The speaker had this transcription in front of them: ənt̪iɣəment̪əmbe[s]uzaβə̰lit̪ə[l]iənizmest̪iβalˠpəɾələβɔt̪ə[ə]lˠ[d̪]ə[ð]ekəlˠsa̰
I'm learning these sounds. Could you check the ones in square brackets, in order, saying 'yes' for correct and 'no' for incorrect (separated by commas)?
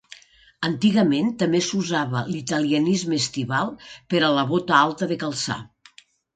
yes, yes, no, no, yes